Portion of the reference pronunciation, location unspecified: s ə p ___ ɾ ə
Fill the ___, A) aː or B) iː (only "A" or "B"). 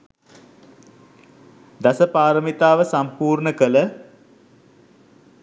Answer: A